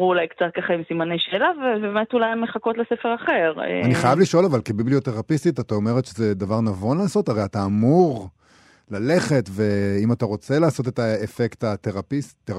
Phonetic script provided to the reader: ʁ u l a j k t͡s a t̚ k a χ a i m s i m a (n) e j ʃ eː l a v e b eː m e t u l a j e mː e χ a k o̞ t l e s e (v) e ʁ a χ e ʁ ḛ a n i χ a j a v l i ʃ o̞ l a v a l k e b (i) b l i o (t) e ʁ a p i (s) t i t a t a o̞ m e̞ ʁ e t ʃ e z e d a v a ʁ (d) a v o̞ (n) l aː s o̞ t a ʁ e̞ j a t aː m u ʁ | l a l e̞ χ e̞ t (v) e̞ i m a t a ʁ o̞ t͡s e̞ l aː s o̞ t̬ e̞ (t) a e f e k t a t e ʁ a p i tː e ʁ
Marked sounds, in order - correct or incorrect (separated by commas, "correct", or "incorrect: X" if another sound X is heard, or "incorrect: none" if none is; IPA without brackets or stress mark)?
correct, incorrect: f, correct, correct, correct, incorrect: n, correct, correct, correct